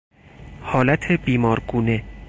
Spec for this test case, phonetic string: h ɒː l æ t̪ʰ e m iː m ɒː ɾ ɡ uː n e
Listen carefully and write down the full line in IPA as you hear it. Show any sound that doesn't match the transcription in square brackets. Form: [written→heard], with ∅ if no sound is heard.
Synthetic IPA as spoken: h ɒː l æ t̪ʰ e [m→b] iː m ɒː ɾ ɡ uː n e